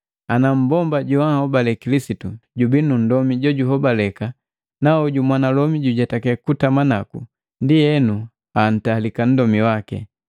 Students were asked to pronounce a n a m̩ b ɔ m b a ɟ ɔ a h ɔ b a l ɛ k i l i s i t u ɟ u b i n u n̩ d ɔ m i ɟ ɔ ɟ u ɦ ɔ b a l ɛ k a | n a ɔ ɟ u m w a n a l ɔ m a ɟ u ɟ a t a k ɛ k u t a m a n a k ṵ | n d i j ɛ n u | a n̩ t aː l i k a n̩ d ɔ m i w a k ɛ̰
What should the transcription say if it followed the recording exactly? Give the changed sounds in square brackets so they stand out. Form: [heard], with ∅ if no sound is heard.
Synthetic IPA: a n a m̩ b ɔ m b a ɟ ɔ a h ɔ b a l ɛ k i l i s i t u ɟ u b i n u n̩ d ɔ m i ɟ ɔ ɟ u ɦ ɔ b a l ɛ k a | n a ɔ ɟ u m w a n a l ɔ m [i] ɟ u ɟ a t a k ɛ k u t a m a n a k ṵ | n d i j ɛ n u | a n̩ t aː l i k a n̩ d ɔ m i w a k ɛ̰